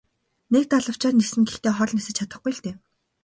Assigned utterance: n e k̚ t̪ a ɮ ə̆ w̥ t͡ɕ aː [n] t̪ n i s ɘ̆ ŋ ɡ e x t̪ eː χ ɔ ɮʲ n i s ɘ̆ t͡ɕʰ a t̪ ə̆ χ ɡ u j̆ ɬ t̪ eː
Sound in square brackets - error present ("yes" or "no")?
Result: yes